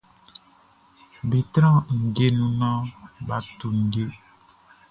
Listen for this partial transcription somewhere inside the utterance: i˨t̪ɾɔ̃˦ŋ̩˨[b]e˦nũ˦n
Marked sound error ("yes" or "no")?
yes